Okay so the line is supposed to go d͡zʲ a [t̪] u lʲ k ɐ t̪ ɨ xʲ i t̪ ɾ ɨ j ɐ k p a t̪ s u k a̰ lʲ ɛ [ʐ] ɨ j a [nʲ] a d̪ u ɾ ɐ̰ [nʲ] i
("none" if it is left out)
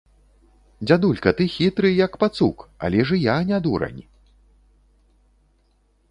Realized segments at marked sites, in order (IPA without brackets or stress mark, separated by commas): d̪, ʐ, nʲ, nʲ